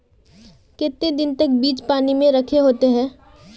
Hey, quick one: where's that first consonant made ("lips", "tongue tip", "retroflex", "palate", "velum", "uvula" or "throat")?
velum